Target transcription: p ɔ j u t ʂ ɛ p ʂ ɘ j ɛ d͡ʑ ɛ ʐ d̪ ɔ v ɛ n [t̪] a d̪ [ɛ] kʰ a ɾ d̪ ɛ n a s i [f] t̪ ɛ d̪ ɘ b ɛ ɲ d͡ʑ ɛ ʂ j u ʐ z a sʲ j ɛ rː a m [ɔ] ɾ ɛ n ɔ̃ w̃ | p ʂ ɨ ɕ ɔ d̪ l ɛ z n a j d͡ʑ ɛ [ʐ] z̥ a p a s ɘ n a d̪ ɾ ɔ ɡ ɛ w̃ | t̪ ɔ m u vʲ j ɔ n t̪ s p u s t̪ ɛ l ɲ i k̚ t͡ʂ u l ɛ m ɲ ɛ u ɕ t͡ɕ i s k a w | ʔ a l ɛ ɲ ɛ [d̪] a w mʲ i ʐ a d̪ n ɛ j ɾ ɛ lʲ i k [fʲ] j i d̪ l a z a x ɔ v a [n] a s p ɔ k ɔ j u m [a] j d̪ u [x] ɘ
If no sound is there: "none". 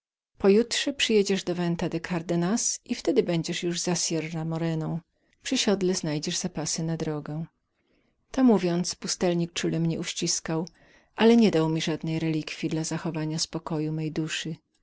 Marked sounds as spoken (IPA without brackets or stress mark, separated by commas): t̪, ɛ, f, ɔ, ʐ, d̪, fʲ, ɲ, ɛ, ʂ